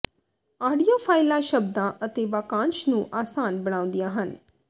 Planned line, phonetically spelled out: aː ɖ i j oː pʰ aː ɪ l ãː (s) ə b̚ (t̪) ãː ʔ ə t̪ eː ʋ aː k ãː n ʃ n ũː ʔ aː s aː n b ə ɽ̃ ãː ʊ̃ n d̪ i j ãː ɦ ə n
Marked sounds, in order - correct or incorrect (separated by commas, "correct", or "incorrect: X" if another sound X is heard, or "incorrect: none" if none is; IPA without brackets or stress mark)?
incorrect: ʃ, incorrect: d̪